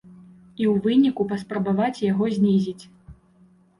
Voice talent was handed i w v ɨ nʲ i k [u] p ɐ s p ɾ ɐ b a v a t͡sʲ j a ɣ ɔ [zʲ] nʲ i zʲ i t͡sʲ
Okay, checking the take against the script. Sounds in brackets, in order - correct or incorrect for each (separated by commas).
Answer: correct, correct